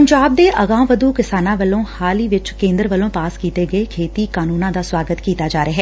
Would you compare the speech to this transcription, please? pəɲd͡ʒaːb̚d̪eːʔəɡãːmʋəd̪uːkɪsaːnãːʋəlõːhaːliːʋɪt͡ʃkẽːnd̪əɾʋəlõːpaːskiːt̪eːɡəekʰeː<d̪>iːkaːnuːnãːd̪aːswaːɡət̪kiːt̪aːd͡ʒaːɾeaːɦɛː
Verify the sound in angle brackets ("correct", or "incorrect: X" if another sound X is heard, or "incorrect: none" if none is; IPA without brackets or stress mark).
incorrect: t̪